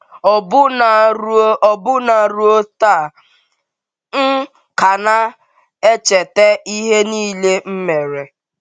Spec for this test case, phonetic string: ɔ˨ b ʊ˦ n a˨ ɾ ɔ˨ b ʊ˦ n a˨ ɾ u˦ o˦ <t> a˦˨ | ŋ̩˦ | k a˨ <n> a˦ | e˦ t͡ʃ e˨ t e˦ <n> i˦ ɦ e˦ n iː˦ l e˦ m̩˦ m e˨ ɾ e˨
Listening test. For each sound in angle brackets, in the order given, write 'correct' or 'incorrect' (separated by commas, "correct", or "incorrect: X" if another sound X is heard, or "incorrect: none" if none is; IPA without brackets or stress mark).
correct, correct, incorrect: none